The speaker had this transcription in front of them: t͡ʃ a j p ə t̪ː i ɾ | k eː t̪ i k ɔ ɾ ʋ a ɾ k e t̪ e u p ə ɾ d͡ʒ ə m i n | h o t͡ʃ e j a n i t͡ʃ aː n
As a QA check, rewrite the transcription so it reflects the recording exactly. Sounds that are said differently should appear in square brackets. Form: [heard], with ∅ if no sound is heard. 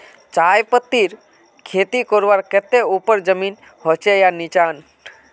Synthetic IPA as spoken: t͡ʃ a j p ə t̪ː i ɾ | [kʰ] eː t̪ i k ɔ ɾ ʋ a ɾ k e t̪ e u p ə ɾ d͡ʒ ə m i n | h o t͡ʃ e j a n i t͡ʃ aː n